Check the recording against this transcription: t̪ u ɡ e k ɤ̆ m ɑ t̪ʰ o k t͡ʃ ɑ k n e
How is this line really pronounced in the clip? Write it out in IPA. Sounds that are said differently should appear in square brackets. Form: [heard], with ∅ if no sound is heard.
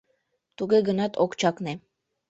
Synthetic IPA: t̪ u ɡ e [ɡ] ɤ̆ [n] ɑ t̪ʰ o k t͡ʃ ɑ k n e

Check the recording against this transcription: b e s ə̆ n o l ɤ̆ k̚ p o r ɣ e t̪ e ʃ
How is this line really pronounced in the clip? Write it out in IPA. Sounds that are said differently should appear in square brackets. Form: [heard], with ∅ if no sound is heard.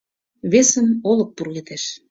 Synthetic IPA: [β] e s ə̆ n o l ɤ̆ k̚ p [u] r ɣ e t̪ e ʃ

